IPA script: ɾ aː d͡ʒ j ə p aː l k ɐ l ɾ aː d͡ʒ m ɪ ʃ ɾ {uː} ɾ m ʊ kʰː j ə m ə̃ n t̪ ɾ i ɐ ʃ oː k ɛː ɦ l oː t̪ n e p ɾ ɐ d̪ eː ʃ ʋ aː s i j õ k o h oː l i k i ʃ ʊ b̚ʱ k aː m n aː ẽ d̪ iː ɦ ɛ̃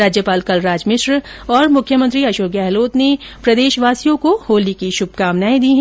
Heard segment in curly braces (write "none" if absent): ɔː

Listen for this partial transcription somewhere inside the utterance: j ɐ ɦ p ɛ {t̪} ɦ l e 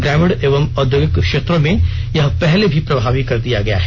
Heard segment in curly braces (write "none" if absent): none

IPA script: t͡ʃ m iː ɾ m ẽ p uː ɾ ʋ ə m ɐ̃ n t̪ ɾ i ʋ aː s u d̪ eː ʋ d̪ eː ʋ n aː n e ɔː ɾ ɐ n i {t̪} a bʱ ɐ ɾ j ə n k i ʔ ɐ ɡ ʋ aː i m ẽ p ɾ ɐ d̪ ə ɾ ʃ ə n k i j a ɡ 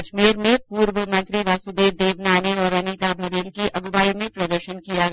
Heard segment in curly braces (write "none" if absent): t̪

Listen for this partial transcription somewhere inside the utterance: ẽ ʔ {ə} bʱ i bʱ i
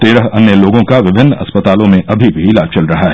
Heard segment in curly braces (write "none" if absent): ɐ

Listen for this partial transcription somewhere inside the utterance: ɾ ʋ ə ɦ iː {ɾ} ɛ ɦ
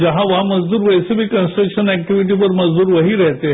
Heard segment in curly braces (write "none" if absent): ɾ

